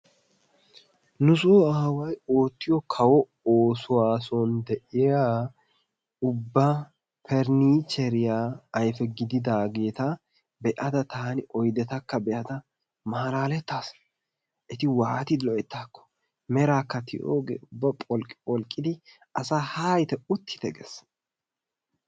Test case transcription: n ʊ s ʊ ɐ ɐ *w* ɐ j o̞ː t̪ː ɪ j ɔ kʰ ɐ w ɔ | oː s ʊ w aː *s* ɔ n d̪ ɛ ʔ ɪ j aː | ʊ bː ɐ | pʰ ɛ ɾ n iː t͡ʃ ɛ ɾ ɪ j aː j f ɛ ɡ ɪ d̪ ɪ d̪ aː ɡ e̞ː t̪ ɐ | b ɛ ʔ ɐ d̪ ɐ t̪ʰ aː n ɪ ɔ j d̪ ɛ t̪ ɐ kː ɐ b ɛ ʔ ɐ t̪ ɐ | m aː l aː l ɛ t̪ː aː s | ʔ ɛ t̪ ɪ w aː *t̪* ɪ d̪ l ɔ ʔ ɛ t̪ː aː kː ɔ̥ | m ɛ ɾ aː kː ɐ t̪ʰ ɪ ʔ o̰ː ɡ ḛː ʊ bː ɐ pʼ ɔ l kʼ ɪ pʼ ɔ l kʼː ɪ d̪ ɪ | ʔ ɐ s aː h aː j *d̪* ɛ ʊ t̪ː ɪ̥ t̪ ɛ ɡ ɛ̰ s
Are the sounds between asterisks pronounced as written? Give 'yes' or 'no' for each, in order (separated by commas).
yes, yes, yes, no